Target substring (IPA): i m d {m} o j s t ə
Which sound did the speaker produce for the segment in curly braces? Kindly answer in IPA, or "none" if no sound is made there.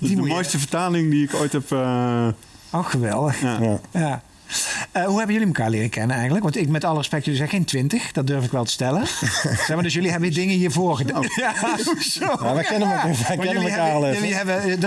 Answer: m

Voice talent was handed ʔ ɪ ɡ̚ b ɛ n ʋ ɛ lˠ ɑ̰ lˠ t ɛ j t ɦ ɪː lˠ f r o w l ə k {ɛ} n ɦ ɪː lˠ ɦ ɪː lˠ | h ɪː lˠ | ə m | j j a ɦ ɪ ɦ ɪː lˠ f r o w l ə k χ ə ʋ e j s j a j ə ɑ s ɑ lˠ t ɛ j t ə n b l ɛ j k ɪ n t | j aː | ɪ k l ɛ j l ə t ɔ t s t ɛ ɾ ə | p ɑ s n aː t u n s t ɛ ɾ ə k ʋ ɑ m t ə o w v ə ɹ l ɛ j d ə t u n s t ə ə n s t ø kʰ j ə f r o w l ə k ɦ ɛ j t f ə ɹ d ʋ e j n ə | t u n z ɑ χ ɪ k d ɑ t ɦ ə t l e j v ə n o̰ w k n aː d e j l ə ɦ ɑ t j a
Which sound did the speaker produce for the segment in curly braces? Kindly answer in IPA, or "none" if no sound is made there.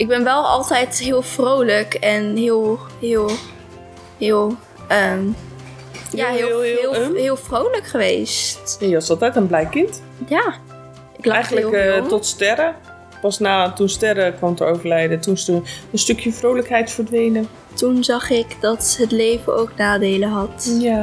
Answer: ɛ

